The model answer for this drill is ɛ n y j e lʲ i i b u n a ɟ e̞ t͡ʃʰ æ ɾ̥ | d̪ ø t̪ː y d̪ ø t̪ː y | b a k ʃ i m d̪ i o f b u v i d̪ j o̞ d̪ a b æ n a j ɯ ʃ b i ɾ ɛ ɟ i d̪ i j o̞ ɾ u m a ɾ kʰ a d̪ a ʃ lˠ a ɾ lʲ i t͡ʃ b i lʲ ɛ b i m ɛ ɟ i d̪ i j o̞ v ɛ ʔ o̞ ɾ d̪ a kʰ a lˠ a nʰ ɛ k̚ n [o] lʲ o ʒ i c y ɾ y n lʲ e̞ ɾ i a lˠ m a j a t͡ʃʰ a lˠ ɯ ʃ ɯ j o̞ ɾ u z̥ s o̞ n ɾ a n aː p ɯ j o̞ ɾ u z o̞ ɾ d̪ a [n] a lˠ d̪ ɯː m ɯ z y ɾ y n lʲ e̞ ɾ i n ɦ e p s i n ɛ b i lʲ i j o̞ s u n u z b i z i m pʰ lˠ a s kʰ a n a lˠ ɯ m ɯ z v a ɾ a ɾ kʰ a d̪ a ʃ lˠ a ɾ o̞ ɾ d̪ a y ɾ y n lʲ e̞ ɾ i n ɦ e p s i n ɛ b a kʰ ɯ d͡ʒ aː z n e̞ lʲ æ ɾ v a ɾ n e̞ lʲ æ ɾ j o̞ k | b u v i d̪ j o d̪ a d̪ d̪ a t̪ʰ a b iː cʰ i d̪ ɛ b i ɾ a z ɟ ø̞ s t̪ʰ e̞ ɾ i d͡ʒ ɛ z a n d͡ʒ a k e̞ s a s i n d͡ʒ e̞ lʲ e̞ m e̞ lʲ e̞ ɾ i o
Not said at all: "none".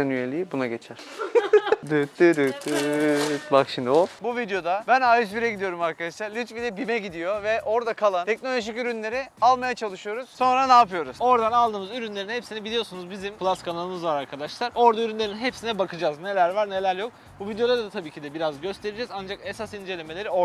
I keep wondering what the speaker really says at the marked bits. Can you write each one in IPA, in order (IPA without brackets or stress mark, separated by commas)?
o, n